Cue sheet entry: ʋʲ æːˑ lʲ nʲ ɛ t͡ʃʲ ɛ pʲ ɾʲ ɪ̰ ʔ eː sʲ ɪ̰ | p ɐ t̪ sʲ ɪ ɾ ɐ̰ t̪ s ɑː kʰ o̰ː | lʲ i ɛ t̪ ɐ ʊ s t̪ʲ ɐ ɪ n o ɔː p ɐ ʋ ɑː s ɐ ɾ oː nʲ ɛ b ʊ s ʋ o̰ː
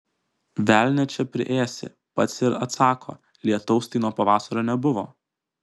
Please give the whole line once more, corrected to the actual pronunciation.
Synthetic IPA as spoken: ʋʲ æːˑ lʲ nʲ ɛ t͡ʃʲ ɛ pʲ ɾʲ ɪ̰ ʔ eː sʲ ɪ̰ | p ɐ t̪ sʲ ɪ ɾ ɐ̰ t̪ s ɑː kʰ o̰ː | lʲ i ɛ t̪ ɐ ʊ s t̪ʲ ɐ ɪ n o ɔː p ɐ ʋ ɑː s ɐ ɾ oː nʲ ɛ b ʊ ʋ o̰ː